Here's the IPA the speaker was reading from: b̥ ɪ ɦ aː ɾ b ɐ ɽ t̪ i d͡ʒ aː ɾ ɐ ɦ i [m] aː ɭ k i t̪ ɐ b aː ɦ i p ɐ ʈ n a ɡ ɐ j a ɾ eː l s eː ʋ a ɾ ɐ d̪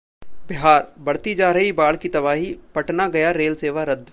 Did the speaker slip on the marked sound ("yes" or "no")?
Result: yes